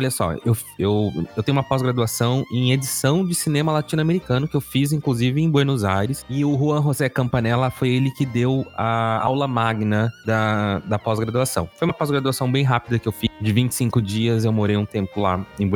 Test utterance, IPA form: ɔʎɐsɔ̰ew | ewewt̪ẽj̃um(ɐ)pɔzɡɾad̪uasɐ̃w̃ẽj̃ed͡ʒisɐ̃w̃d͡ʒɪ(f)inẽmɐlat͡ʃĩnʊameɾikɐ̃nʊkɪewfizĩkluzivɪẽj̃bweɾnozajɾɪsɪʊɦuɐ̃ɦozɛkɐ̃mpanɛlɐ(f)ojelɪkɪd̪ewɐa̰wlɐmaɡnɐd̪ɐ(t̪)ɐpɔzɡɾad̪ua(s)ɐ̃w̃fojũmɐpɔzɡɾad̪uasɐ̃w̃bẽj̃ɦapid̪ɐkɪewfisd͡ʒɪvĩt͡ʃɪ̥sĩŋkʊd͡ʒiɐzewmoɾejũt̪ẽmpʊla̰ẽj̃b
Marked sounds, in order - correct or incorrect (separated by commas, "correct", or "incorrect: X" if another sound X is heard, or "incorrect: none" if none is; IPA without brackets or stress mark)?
correct, incorrect: s, correct, incorrect: d̪, correct